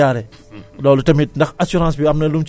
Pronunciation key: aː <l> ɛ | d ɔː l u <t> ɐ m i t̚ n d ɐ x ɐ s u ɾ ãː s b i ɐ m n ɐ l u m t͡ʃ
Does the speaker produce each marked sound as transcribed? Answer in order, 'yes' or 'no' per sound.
no, yes

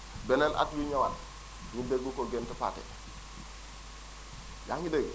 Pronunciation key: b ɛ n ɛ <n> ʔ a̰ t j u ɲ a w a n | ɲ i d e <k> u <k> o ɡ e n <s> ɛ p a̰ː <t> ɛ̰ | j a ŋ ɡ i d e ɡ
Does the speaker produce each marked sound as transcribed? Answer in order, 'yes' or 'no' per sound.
yes, no, yes, no, yes

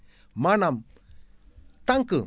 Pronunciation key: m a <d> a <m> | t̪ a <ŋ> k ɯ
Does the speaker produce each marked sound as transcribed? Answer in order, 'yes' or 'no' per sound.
no, yes, yes

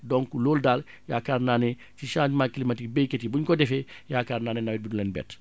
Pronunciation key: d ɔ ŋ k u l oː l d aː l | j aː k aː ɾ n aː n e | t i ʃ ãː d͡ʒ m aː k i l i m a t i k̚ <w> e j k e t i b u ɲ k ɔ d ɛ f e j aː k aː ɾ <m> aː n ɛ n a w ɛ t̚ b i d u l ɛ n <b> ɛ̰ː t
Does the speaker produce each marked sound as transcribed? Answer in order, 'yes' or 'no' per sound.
no, no, yes

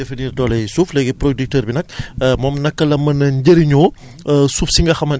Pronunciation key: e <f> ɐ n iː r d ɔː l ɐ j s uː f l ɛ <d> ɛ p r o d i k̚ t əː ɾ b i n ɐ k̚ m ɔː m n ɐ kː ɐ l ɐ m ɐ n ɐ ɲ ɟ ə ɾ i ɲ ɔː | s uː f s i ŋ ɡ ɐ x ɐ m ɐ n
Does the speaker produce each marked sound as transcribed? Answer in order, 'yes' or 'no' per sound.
yes, no

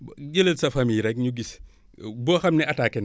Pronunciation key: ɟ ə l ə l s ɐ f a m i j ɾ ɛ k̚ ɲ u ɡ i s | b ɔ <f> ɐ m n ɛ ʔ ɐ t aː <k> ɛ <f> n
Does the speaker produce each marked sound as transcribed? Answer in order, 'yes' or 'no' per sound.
no, yes, no

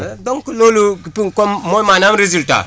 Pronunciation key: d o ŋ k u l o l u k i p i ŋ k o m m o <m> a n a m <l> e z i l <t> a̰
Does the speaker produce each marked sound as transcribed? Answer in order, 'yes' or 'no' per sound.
yes, no, yes

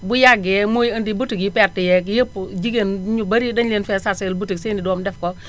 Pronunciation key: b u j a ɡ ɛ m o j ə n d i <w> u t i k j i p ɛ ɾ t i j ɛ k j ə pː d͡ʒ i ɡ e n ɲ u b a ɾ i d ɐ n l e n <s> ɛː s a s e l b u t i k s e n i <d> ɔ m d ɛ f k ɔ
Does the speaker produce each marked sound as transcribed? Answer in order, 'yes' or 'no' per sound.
no, no, yes

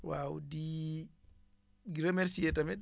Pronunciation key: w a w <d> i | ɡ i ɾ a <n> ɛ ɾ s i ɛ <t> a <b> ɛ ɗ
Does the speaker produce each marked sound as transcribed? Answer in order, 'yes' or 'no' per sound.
yes, no, yes, no

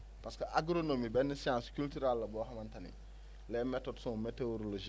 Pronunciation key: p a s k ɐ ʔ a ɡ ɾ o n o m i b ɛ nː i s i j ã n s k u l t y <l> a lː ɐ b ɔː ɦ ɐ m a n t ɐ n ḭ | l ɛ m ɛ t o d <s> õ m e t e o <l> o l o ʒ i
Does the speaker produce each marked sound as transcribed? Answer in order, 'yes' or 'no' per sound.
no, yes, no

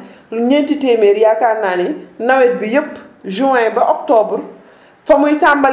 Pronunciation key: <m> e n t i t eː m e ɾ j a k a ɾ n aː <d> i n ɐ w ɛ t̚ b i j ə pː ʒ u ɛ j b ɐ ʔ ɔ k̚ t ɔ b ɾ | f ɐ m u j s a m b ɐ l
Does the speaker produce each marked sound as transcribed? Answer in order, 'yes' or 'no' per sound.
no, no

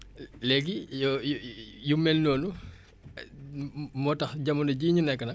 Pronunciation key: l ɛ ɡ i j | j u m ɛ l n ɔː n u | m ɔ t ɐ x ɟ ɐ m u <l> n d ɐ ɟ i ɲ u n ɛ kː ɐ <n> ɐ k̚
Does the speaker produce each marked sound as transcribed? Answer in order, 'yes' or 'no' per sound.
no, yes

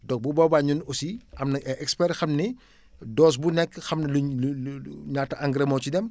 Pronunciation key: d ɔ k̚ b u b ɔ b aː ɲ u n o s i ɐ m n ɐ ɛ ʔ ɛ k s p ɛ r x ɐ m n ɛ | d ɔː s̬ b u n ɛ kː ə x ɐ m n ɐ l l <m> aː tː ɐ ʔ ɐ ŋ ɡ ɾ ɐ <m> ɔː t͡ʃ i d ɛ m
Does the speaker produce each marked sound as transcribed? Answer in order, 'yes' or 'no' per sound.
no, yes

